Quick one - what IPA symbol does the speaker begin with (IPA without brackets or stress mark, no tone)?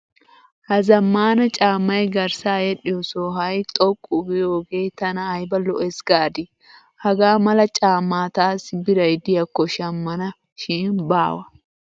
h